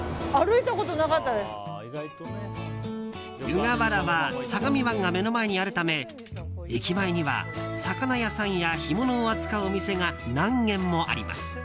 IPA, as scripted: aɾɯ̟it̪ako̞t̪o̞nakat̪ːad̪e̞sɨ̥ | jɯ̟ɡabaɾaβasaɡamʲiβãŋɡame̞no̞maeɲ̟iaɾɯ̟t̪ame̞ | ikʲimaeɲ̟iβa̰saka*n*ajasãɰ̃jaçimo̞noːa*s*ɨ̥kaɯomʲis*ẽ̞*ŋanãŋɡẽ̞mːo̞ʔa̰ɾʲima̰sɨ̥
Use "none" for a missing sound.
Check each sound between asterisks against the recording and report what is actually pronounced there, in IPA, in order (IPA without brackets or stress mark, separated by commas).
n, t͡s, e̞